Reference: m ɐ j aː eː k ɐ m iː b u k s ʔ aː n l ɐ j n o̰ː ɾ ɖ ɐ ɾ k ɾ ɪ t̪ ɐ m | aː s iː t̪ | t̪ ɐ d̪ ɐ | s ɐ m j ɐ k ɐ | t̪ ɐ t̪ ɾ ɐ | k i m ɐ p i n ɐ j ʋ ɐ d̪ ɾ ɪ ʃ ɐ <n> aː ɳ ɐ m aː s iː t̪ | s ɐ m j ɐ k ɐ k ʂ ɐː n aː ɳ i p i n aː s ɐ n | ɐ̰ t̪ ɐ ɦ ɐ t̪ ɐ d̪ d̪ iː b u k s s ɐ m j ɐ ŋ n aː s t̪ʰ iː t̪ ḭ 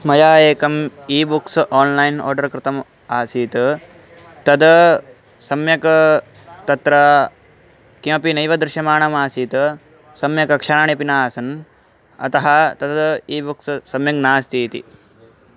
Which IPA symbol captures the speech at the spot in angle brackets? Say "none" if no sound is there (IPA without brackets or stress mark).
m